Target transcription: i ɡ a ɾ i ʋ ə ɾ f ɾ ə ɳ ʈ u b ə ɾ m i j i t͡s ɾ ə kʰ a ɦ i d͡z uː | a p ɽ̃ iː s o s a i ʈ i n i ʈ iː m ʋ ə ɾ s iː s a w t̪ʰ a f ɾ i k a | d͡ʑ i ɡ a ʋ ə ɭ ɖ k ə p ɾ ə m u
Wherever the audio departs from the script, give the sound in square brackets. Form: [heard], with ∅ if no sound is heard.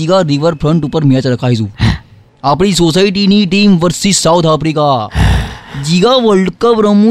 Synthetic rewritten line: i ɡ a ɾ i ʋ ə ɾ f ɾ ə ɳ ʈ u [p] ə ɾ m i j [a] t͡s ɾ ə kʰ a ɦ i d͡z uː | a p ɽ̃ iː s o s a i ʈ i n i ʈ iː m ʋ ə ɾ s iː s a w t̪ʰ a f ɾ i k a | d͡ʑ i ɡ a ʋ ə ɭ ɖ k ə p ɾ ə m u